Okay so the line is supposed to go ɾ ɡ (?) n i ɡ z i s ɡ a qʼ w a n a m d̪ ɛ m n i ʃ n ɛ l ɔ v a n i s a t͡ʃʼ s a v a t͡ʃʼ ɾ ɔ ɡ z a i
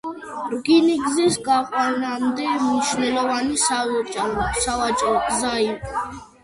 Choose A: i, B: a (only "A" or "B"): A